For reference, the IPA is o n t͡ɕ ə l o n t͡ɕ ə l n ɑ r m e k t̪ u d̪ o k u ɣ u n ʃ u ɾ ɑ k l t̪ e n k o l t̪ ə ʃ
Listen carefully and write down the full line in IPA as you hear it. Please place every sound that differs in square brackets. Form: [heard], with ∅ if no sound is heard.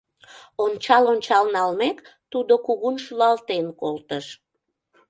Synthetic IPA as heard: o n t͡ɕ [ɑ] l o n t͡ɕ [ɑ] l n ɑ [l] m e k t̪ u d̪ o k u ɣ u n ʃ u [l] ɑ [∅] l t̪ e n k o l t̪ ə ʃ